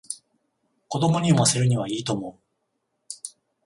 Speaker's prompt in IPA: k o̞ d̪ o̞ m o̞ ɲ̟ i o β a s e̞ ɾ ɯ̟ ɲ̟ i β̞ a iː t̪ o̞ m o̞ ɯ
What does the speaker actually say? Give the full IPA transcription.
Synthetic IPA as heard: k o̞ d̪ o̞ m o̞ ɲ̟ i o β a s e̞ ɾ ɯ̟ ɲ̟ i β̞ a iː t̪ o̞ m o̞ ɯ